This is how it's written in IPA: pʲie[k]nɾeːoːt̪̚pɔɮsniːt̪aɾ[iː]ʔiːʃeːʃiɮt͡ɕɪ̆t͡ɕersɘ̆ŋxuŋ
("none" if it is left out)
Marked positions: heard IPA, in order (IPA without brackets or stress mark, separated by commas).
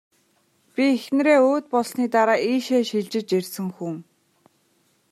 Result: x, aː